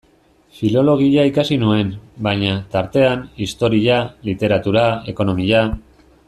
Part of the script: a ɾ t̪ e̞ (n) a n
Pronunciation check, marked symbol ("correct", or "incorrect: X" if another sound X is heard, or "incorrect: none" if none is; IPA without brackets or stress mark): incorrect: none